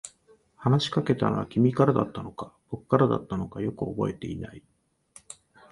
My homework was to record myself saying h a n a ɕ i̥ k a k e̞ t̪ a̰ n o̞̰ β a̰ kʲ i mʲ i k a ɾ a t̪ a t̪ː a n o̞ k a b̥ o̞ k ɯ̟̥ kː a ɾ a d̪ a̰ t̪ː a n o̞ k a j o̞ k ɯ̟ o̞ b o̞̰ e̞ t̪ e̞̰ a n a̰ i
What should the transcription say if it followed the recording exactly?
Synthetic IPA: h a n a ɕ i̥ k a k e̞ t̪ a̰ n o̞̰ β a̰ kʲ i mʲ i k a ɾ a d̪ a t̪ː a n o̞ k a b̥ o̞ k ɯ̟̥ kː a ɾ a d̪ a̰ t̪ː a n o̞ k a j o̞ k ɯ̟ o̞ b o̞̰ e̞ t̪ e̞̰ i n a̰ i